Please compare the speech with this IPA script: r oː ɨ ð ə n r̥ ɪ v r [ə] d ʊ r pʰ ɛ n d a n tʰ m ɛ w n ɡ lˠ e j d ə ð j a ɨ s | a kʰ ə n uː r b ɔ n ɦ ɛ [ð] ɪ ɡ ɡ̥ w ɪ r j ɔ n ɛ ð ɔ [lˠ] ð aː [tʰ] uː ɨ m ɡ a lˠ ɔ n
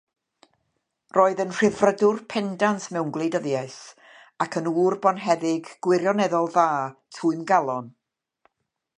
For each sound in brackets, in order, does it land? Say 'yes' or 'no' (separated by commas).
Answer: yes, yes, yes, yes